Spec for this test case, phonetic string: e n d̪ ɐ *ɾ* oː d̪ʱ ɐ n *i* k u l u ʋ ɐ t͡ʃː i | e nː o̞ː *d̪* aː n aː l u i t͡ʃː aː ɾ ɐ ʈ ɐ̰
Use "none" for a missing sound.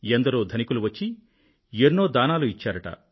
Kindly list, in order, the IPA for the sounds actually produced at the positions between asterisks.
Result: ɾ, i, d̪

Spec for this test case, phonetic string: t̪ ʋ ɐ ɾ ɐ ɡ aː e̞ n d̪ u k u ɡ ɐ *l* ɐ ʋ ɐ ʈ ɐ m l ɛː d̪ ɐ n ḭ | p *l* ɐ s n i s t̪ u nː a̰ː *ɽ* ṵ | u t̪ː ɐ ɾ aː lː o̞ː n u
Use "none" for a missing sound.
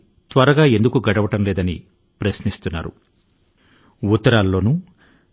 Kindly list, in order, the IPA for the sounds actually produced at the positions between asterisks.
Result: ɽ, ɾ, ɾ

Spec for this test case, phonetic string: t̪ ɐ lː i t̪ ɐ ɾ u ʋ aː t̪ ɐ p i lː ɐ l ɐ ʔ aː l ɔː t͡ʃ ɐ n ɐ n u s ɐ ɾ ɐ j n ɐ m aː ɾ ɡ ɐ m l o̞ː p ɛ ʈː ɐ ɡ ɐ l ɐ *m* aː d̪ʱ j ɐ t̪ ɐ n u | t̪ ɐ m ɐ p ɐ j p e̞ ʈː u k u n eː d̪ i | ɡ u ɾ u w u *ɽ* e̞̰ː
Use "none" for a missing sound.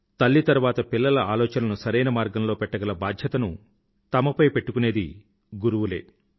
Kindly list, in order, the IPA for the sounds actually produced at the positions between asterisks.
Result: b, l

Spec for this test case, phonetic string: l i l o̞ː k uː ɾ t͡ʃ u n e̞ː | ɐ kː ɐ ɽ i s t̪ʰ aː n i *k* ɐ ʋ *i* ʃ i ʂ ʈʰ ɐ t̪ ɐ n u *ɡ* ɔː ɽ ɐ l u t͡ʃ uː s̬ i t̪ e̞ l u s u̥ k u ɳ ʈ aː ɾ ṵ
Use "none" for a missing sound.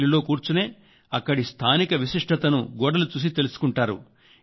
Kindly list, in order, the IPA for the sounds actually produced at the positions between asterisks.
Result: k, i, ɡ

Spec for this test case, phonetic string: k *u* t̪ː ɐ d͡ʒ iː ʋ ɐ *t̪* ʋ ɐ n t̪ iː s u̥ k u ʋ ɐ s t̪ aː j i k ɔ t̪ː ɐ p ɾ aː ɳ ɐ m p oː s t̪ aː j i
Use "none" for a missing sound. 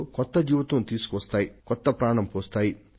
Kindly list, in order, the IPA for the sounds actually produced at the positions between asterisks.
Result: ɔ, t̪

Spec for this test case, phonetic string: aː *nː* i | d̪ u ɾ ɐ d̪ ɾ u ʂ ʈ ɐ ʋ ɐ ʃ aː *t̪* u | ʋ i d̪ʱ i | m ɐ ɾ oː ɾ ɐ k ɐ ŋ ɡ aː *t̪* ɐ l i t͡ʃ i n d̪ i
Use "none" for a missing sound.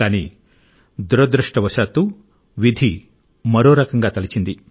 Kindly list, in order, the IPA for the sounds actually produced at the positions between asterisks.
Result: n, t̪, t̪

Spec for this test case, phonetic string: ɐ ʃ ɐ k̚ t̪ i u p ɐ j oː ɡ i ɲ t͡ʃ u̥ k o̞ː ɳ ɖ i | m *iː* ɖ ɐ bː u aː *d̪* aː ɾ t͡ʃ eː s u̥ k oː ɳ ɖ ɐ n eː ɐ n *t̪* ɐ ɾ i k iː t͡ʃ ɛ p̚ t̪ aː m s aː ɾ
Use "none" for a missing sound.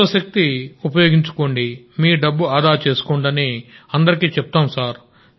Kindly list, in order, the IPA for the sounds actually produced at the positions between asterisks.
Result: iː, d̪, d̪

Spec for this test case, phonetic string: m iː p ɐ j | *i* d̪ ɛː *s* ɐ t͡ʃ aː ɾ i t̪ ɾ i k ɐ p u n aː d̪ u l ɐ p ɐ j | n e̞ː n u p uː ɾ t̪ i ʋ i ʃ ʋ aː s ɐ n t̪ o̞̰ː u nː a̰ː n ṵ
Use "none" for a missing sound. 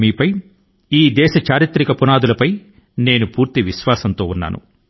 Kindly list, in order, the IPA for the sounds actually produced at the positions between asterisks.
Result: iː, ʃ

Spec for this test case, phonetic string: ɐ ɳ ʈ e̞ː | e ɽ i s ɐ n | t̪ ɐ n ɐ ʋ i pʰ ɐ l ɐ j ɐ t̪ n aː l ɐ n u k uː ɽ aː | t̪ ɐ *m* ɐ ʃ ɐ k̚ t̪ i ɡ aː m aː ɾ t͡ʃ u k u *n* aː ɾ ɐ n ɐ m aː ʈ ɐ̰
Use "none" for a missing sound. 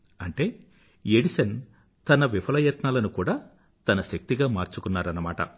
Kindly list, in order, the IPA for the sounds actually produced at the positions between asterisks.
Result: n, nː

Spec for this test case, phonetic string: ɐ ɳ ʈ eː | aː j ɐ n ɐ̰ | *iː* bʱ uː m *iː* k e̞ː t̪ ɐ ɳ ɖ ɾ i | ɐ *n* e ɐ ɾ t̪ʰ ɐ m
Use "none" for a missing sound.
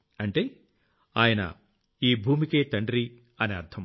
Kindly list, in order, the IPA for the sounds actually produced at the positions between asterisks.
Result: iː, i, n

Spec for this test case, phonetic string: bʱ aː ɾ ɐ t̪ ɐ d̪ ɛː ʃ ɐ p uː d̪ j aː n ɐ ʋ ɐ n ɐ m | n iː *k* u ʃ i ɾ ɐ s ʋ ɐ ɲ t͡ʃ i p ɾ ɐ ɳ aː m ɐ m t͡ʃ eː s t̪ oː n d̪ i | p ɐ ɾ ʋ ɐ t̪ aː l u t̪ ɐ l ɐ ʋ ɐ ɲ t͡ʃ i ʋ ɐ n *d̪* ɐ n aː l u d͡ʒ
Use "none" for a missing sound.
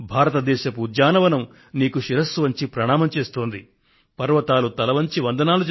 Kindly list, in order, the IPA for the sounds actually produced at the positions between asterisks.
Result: k, d̪

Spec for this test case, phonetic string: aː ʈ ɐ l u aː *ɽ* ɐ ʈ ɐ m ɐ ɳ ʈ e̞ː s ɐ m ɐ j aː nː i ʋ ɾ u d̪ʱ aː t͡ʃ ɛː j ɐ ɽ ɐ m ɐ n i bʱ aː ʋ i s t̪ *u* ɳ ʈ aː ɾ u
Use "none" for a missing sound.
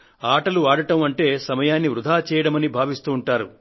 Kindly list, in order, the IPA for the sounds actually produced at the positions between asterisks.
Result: ɽ, uː

